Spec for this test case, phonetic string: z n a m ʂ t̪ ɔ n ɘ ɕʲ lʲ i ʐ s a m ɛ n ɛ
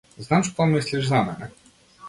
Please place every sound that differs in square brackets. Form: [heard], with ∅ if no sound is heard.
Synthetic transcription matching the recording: z n a m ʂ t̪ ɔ [m] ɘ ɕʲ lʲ i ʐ [z] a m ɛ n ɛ